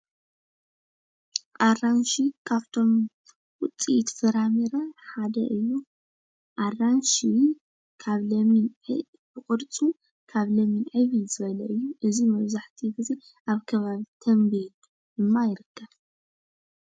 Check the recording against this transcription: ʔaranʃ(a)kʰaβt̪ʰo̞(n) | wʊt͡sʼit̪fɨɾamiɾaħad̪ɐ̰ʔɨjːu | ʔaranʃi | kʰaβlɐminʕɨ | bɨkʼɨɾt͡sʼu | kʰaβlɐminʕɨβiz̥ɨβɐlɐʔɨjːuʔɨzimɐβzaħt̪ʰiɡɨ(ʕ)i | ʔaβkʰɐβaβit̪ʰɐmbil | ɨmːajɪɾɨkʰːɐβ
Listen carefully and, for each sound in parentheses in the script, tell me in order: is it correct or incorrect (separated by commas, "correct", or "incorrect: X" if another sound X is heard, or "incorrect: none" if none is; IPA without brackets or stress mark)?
incorrect: i, incorrect: m, incorrect: z